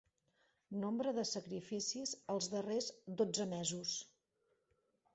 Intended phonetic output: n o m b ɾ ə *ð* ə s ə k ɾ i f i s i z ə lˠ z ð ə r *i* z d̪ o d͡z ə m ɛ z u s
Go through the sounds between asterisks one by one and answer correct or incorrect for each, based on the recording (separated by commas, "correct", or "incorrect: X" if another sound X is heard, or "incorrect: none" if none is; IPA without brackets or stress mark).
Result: correct, incorrect: e